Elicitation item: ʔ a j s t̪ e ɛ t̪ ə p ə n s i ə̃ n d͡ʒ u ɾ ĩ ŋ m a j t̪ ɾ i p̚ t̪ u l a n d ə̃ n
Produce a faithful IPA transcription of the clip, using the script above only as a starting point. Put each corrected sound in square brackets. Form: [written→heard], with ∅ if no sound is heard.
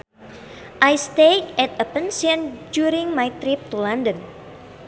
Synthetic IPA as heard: ʔ a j s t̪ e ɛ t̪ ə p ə n s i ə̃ n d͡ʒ u ɾ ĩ ŋ m a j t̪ ɾ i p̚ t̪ u l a n d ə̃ n

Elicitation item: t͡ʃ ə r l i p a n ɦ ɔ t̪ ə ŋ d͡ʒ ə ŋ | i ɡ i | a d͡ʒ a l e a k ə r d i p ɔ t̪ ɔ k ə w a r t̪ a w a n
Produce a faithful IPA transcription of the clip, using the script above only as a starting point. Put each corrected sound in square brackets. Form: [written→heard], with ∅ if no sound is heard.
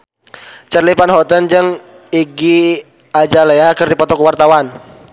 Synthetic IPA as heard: t͡ʃ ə r l i p a n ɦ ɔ t̪ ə [ŋ→n] d͡ʒ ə ŋ | i ɡ i | a d͡ʒ a l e a k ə r d i p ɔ t̪ ɔ k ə w a r t̪ a w a n

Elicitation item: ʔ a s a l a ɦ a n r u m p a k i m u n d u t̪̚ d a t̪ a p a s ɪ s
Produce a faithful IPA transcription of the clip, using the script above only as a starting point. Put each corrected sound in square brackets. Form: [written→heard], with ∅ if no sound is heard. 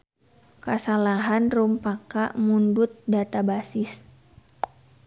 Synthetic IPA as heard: [ʔ→k] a s a l a ɦ a n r u m p a k [i→a] m u n d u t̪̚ d a t̪ a [p→b] a s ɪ s

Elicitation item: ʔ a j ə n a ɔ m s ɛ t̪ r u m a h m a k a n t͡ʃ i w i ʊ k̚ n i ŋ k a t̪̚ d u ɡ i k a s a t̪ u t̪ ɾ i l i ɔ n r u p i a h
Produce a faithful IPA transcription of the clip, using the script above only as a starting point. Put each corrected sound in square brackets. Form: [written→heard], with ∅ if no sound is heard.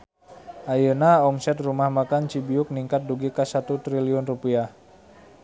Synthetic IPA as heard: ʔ a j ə n a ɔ m s ɛ t̪ r u m a h m a k a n t͡ʃ i [w→b] i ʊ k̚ n i ŋ k a t̪̚ d u ɡ i k a s a t̪ u t̪ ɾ i l i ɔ n r u p i a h

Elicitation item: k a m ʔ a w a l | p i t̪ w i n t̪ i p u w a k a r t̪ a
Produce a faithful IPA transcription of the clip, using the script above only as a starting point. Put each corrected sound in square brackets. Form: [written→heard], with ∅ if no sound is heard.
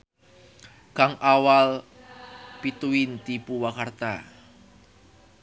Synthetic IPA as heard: k a [m→ŋ] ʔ a w a l | p i t̪ [w→u] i n t̪ i p u w a k a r t̪ a

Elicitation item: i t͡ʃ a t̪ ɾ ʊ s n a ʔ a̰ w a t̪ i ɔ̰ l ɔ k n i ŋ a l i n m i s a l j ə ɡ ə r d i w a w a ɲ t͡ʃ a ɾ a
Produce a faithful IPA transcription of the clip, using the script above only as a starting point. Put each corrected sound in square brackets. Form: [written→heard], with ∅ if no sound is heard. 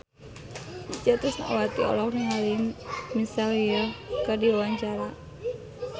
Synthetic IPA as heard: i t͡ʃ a t̪ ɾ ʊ s n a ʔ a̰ w a t̪ i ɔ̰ l ɔ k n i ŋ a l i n m i s a l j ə [ɡ→k] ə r d i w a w a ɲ t͡ʃ a ɾ a

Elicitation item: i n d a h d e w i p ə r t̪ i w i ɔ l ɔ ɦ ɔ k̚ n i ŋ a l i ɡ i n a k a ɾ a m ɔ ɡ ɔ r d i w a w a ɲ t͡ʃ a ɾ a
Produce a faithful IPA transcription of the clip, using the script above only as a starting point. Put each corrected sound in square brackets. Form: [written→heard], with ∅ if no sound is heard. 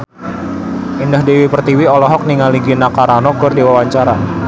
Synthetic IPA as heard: i n d a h d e w i p ə r t̪ i w i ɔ l ɔ ɦ ɔ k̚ n i ŋ a l i ɡ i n a k a ɾ a [m→n] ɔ ɡ ɔ r d i w a w a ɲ t͡ʃ a ɾ a

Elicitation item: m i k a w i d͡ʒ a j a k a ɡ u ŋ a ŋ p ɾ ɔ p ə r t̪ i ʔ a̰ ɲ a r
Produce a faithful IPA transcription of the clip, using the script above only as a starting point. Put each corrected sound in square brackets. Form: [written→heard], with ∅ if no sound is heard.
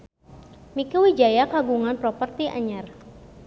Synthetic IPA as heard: m i k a w i d͡ʒ a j a k a ɡ u ŋ a [ŋ→n] p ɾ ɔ p ə r t̪ i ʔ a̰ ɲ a r

